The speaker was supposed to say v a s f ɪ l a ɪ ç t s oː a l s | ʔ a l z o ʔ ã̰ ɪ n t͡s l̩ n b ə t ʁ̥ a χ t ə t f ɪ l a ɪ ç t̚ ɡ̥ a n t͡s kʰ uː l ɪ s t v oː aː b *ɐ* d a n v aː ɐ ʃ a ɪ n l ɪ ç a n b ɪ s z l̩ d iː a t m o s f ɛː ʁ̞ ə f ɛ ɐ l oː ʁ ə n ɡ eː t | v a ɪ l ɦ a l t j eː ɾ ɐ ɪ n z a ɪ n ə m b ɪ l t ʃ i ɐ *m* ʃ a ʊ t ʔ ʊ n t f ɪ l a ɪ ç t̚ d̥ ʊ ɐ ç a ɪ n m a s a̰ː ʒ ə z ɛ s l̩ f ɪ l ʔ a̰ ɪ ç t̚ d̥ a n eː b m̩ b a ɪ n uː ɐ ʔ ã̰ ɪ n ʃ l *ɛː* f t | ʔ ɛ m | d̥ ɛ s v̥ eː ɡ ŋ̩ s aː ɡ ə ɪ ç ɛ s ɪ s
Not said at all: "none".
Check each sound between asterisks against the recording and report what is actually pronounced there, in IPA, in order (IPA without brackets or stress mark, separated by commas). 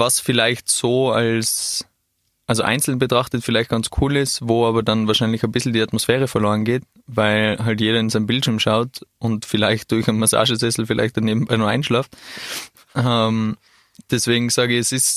ɐ, m, aː